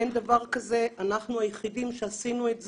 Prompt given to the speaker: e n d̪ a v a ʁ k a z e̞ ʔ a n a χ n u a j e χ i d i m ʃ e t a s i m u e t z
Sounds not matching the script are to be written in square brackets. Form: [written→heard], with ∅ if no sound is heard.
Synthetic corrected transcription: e n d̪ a v a ʁ k a z e̞ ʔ a n a χ n u a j e χ i d i m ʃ e [t→∅] a s i [m→n] u e t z